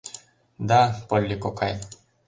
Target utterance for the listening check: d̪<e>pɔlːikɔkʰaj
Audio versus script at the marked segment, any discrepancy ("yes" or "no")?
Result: yes